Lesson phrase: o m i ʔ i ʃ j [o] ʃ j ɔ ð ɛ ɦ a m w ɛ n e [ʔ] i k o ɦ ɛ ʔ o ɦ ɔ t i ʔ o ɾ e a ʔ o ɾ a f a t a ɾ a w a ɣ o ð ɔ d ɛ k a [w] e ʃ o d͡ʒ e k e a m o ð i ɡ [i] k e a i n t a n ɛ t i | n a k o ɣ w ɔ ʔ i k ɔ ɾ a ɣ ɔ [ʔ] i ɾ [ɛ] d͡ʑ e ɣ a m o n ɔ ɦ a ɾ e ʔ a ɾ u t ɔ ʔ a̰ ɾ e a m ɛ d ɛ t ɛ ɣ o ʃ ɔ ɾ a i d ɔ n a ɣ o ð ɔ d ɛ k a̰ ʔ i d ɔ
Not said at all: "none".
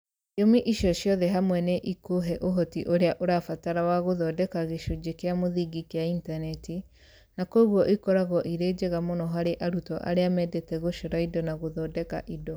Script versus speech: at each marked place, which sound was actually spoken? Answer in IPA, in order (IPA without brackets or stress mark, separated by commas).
ɔ, ʔ, ɣ, i, ʔ, e